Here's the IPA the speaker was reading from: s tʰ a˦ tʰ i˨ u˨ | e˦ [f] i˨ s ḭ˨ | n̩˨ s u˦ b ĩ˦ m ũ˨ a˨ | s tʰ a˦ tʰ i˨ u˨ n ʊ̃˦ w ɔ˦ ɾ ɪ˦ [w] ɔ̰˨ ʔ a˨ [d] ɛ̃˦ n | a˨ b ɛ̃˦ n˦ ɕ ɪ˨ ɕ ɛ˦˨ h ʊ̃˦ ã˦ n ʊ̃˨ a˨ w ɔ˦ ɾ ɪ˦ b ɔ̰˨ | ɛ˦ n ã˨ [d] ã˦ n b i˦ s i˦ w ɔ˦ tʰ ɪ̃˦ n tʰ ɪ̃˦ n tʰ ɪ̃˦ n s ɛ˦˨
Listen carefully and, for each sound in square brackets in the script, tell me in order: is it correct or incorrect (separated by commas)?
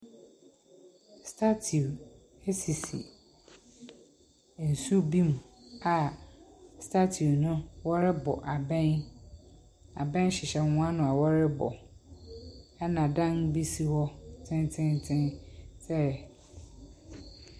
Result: incorrect, incorrect, incorrect, correct